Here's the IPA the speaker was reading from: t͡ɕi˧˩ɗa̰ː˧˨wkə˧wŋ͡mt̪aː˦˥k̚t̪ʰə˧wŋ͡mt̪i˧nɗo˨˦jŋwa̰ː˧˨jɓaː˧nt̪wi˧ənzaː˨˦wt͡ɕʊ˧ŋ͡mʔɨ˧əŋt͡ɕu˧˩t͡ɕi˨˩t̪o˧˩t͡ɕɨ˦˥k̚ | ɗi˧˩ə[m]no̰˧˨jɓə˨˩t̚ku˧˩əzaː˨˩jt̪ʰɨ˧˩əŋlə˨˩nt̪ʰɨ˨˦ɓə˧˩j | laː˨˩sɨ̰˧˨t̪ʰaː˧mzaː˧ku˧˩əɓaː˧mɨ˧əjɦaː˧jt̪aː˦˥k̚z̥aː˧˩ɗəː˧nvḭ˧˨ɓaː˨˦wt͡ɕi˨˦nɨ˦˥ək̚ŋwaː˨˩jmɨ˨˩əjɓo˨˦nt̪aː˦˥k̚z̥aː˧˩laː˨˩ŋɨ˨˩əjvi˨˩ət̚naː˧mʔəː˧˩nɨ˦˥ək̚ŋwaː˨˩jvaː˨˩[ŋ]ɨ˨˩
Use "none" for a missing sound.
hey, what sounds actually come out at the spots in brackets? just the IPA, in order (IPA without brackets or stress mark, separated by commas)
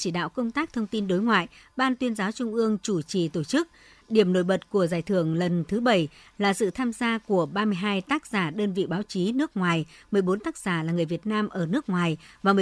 m, m